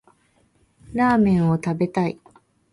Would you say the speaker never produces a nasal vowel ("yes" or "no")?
no